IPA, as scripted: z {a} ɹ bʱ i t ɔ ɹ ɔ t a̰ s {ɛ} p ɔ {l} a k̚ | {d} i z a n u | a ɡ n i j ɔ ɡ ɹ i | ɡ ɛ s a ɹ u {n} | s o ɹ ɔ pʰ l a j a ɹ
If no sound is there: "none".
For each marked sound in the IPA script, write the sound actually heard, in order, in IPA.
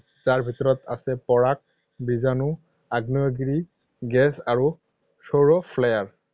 a, ɛ, ɹ, b, none

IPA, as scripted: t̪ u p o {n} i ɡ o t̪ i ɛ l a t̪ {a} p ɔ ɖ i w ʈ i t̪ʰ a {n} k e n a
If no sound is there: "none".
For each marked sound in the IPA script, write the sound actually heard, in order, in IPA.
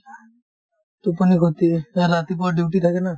n, i, none

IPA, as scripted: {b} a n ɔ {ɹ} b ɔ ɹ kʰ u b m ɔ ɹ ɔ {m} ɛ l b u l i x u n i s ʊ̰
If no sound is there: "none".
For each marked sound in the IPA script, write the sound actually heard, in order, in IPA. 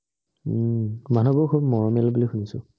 m, none, m

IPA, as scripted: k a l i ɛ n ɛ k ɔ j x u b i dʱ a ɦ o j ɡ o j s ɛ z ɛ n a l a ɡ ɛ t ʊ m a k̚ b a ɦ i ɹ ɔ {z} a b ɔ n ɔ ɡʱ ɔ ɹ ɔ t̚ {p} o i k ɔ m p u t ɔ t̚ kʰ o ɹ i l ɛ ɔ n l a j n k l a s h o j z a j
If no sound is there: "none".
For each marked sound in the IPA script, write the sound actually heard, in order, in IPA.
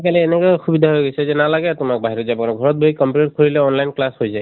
z, b

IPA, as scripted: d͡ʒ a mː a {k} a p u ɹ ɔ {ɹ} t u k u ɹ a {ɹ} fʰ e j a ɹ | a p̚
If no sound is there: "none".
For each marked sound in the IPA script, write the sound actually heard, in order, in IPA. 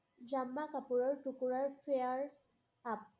k, ɹ, ɹ

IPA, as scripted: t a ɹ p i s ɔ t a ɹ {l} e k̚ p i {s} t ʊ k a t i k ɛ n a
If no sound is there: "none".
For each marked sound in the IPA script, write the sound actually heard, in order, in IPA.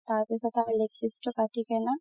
l, s

